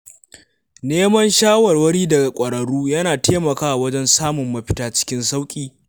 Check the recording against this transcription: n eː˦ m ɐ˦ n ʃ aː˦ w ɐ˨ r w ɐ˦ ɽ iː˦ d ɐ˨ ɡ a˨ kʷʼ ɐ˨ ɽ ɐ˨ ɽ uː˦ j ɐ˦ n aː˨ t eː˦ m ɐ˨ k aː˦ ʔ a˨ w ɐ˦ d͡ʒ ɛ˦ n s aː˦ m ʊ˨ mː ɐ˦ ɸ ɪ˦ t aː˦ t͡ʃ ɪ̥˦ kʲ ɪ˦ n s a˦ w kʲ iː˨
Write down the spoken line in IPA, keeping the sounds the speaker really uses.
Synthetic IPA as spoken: n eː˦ m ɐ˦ n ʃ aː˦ w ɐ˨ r w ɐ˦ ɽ iː˦ d ɐ˨ ɡ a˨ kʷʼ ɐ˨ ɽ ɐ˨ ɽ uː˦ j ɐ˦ n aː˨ t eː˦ m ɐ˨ k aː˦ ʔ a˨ w ɐ˦ d͡ʒ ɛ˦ n s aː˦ m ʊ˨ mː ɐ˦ ɸ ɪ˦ t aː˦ t͡ʃ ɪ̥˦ kʲ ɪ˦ n s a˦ w kʲʼ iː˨